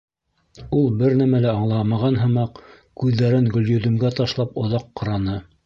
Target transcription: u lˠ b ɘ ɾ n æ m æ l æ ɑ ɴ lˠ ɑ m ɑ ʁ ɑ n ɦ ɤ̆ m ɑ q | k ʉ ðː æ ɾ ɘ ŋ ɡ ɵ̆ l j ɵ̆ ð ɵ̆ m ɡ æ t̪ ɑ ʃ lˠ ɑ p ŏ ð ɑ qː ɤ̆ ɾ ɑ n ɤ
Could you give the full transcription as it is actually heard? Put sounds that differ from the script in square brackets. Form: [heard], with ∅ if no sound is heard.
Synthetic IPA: u lˠ b ɘ ɾ n æ m æ l æ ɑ ɴ lˠ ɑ m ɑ ʁ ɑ n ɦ ɤ̆ m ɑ q | k ʉ ðː æ ɾ ɘ ŋ ɡ ɵ̆ l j ɵ̆ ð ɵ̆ m ɡ æ t̪ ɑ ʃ lˠ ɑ p ŏ ð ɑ qː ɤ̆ ɾ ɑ n ɤ